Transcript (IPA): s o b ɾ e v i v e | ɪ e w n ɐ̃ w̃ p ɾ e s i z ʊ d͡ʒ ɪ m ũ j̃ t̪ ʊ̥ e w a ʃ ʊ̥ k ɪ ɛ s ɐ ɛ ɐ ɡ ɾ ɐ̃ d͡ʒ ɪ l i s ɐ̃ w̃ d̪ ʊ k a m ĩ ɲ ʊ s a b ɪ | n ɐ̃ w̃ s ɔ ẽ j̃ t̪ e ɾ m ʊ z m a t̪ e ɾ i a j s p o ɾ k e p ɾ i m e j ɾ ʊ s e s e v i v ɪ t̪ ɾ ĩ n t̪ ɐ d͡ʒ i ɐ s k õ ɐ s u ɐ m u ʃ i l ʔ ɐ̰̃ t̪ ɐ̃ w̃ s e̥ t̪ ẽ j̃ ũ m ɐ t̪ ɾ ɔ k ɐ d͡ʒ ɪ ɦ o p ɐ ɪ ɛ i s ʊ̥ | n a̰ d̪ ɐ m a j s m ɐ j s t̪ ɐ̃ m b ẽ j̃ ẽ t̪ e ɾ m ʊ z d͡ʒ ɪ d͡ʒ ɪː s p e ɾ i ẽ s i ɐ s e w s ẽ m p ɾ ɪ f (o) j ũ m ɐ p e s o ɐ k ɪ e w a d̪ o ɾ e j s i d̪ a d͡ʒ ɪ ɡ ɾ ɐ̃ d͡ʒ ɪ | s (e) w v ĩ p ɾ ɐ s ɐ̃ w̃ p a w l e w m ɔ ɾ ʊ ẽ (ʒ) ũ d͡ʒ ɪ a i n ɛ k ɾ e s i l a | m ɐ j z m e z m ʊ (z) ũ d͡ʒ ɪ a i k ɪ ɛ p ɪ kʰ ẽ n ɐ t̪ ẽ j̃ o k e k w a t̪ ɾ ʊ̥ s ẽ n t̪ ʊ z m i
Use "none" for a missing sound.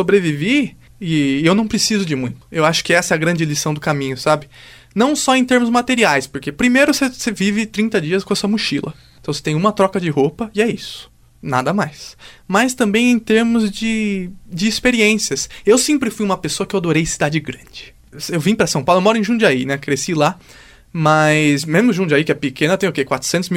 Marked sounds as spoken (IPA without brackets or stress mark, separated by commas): u, e, ʒ, ʒ